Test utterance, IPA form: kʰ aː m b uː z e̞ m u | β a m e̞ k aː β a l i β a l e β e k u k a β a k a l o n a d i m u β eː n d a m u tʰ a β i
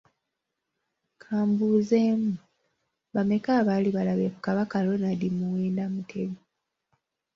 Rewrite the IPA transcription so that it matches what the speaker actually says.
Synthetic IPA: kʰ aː m b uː z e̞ m u | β a m e̞ k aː β a l i β a l a β e k u k a β a k a l o n a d i m u w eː n d a m u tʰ e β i